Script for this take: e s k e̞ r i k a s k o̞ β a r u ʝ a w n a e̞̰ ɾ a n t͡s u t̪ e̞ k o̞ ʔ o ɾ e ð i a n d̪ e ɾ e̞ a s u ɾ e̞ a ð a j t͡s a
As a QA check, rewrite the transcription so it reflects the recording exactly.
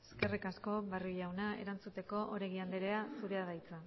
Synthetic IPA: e s k e̞ r i k a s k o̞ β a r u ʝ a w n a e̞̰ ɾ a n t͡s u t̪ e̞ k o̞ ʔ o ɾ e ɣ i a n d̪ e ɾ e̞ a s u ɾ e̞ a ð a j t͡s a